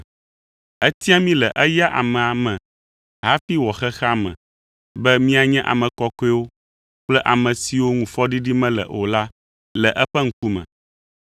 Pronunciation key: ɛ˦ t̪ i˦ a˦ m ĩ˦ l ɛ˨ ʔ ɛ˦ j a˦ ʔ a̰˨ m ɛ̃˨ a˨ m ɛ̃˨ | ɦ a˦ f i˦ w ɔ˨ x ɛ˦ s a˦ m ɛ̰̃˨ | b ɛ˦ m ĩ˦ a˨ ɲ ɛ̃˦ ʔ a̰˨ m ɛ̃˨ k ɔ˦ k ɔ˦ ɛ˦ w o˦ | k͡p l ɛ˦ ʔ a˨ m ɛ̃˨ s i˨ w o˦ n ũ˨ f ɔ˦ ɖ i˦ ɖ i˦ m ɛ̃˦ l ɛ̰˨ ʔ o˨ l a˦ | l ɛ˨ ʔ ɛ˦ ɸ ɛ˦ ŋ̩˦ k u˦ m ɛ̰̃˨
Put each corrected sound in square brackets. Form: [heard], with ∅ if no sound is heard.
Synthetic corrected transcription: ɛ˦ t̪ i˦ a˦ m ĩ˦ l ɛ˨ ʔ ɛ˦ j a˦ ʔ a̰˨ m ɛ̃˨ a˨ m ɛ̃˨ | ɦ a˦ f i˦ w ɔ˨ x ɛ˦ [x] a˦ m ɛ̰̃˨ | b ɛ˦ m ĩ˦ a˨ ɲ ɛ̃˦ ʔ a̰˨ m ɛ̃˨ k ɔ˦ k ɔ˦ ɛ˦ w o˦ | k͡p l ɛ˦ ʔ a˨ m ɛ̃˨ s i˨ w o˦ [ŋ] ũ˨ f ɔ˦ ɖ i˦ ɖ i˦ m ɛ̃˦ l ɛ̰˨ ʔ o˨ l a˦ | l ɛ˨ ʔ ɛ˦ ɸ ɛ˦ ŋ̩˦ k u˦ m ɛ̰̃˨